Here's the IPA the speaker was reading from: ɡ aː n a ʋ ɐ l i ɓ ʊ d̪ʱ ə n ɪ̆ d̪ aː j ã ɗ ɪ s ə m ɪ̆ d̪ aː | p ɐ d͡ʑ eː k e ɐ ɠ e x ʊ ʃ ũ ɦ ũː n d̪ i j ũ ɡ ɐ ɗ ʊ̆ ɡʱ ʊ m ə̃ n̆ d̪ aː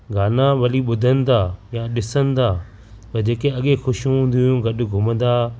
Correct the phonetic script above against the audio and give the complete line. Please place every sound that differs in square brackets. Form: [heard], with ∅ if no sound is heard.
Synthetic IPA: ɡ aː n a ʋ ɐ l i ɓ ʊ d̪ʱ ə n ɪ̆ d̪ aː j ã ɗ ɪ s ə [n] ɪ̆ d̪ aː | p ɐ d͡ʑ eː k e ɐ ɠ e x ʊ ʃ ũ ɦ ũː n d̪ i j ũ ɡ ɐ ɗ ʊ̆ ɡʱ ʊ m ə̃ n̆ d̪ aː